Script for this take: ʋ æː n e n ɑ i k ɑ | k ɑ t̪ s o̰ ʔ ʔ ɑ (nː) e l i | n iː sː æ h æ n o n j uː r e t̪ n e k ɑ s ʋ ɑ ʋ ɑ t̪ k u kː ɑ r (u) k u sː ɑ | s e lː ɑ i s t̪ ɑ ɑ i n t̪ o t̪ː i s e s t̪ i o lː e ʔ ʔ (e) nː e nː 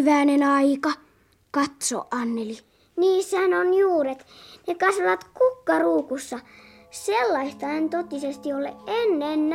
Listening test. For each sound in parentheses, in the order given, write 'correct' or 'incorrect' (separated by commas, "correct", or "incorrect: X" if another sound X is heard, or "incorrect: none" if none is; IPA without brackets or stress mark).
correct, incorrect: uː, correct